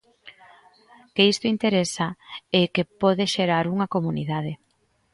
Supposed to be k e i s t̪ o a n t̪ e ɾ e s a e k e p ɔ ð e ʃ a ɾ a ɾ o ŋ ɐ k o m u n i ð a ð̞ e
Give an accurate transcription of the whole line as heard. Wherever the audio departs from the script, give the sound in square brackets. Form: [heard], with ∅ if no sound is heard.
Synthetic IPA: k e i s t̪ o [i] n t̪ e ɾ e s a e k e p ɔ ð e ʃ [e] ɾ a ɾ [u] ŋ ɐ k o m u n i ð a ð̞ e